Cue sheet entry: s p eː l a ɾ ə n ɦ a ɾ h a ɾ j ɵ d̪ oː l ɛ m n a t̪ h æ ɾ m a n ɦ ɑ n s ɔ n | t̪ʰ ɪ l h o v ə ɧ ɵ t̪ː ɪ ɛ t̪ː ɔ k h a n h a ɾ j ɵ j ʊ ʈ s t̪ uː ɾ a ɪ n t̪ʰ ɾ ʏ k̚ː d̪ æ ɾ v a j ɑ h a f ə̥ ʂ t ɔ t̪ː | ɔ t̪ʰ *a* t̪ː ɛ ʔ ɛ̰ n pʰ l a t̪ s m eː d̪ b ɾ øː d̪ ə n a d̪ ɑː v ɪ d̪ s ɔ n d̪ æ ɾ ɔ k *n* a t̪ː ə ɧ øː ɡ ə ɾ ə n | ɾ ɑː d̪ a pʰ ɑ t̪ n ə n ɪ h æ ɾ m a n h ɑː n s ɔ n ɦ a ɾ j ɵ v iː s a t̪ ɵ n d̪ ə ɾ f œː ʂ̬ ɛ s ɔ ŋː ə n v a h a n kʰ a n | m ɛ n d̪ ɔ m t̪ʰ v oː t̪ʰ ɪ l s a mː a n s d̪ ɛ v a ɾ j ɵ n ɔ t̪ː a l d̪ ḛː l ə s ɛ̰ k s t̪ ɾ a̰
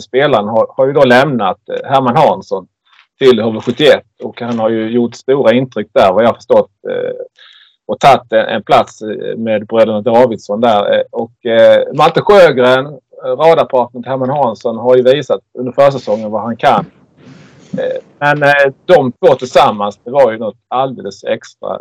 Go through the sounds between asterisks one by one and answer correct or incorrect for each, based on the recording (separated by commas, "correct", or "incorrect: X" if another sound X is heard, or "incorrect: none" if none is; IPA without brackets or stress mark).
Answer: correct, incorrect: m